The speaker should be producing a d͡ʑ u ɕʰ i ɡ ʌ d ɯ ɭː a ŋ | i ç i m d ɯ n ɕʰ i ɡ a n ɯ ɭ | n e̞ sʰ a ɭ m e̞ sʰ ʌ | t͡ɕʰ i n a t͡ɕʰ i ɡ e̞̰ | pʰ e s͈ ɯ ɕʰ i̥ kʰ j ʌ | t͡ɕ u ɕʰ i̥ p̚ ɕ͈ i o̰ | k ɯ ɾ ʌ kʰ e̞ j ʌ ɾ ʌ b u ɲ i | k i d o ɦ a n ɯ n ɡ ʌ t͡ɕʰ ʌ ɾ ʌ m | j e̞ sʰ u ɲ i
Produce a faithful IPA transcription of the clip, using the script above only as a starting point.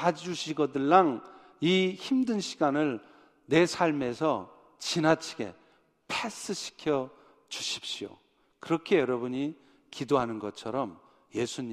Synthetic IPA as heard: a d͡ʑ u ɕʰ i ɡ ʌ d ɯ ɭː a ŋ | i ç i m d ɯ n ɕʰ i ɡ a n ɯ ɭ | n e̞ sʰ a ɭ m e̞ sʰ ʌ | t͡ɕ i n a t͡ɕʰ i ɡ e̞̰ | pʰ e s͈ ɯ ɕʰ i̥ kʰ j ʌ | t͡ɕ u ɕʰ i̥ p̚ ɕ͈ i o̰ | k ɯ ɾ ʌ kʰ e̞ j ʌ ɾ ʌ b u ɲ i | k i d o ɦ a n ɯ n ɡ ʌ t͡ɕʰ ʌ ɾ ʌ m | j e̞ sʰ u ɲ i